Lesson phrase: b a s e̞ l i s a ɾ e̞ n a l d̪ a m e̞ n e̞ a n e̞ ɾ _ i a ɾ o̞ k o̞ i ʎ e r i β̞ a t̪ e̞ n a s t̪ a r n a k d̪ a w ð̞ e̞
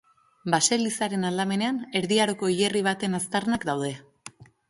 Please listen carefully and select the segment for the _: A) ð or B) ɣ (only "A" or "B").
A